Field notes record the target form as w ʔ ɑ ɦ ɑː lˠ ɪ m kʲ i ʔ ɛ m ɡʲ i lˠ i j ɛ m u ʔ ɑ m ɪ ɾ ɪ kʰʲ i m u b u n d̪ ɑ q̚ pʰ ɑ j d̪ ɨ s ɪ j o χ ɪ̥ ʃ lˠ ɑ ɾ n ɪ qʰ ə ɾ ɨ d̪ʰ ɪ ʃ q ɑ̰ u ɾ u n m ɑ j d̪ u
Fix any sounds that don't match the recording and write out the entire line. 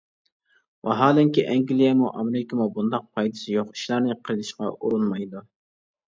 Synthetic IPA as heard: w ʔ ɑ ɦ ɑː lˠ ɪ ŋ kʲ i ʔ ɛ ŋ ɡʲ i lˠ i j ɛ m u ʔ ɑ m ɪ ɾ ɪ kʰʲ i m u b u n d̪ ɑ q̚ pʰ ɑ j d̪ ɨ s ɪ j o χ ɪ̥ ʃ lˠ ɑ ɾ n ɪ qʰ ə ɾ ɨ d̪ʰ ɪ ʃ q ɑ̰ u ɾ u n m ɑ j d̪ u